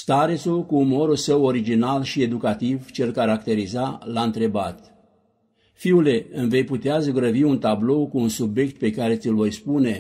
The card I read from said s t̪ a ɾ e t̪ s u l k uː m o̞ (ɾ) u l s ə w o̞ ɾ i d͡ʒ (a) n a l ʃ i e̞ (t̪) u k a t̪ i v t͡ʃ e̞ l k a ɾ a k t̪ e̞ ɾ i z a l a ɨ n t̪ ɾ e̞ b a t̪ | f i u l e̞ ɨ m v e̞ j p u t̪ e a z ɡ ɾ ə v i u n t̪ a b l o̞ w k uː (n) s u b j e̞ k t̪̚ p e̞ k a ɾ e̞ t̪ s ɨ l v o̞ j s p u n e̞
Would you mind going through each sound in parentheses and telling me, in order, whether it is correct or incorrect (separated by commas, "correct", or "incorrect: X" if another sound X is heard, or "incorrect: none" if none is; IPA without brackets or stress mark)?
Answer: correct, incorrect: i, incorrect: d̪, correct